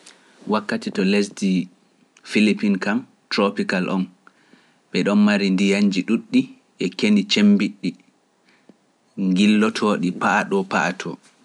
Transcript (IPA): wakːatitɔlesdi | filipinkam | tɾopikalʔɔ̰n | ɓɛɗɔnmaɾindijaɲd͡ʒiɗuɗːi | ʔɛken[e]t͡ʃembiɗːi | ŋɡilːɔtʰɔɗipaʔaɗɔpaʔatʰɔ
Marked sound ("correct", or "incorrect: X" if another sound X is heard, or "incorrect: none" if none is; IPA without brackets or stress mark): incorrect: i